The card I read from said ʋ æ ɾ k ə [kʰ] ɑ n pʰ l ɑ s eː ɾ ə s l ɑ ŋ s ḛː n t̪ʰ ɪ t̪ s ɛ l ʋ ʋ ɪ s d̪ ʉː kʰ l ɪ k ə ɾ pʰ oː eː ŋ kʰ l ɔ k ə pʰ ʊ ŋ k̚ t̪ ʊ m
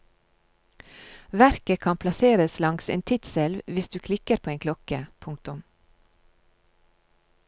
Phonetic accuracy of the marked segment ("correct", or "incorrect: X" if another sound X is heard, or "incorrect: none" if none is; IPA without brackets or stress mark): correct